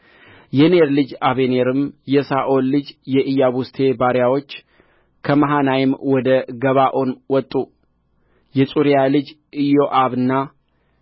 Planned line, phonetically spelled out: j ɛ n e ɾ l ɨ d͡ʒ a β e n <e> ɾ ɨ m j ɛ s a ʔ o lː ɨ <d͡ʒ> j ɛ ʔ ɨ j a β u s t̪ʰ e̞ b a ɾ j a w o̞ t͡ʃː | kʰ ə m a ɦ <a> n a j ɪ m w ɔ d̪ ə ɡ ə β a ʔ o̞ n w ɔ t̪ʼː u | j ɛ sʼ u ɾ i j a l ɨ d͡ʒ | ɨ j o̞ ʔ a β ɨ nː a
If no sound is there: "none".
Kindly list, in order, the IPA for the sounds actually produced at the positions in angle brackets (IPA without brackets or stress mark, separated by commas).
e, d͡ʒ, a